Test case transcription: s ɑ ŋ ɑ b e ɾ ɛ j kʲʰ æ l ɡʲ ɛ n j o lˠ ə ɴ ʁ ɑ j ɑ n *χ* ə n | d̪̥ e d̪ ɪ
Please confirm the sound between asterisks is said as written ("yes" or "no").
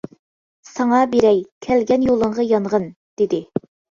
no